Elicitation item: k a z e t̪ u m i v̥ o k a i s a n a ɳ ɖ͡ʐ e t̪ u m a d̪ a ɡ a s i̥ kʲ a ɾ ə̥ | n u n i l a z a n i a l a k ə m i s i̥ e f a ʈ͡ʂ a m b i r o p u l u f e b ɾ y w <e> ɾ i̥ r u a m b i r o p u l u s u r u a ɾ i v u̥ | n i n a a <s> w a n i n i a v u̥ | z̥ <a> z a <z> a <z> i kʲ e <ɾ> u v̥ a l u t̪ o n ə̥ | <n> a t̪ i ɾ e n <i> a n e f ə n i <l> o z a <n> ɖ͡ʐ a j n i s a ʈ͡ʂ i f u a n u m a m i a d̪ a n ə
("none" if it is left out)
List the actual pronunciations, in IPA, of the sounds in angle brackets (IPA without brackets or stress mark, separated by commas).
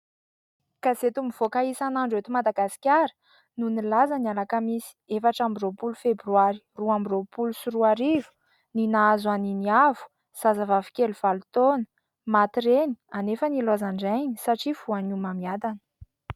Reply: a, z, a, v, v, l, m, i, l, ɳ